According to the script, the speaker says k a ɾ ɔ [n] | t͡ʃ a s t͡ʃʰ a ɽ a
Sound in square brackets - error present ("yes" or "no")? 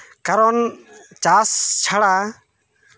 no